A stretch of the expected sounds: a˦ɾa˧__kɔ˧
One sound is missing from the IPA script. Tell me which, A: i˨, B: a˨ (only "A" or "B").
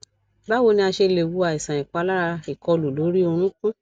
A